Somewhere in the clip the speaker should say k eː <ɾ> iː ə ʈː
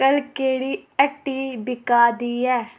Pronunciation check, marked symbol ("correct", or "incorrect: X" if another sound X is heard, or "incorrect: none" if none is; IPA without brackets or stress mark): incorrect: ɽ